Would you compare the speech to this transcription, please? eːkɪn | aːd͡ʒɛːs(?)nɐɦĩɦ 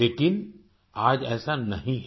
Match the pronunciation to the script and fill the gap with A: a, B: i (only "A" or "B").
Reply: A